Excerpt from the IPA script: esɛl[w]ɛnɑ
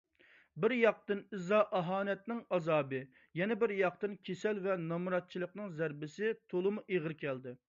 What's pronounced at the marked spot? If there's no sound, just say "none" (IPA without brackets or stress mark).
v